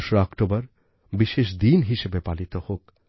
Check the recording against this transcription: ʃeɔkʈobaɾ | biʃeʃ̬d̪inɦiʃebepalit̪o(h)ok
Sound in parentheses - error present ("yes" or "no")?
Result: no